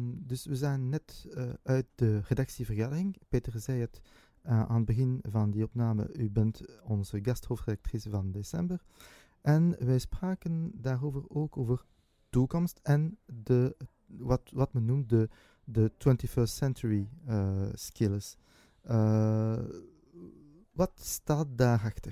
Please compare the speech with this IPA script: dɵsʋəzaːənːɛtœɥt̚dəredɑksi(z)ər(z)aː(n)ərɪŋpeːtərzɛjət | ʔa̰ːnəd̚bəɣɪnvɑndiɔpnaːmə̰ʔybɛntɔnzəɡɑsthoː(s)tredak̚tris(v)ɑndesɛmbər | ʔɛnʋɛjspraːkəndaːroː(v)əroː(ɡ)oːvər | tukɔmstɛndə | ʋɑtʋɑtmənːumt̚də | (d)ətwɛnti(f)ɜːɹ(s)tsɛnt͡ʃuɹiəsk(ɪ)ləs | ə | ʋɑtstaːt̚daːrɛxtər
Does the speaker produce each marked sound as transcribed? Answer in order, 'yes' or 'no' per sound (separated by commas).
no, no, no, no, yes, yes, no, yes, yes, yes, yes